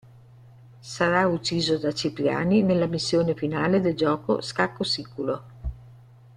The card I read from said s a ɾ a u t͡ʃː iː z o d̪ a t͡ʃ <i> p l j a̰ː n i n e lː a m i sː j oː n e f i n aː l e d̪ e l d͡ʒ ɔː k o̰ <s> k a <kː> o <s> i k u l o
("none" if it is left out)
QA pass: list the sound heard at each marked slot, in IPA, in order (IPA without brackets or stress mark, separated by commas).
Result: i, s, kː, s